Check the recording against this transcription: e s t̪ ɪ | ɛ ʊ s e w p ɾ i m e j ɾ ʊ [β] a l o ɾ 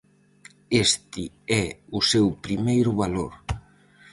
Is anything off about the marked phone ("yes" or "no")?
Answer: no